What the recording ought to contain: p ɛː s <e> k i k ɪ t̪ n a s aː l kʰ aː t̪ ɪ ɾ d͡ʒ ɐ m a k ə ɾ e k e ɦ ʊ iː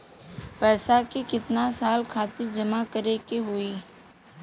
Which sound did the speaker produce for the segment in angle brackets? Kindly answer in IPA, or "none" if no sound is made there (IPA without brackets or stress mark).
a